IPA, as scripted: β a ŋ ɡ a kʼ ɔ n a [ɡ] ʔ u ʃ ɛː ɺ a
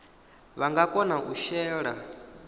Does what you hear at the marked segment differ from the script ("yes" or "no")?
yes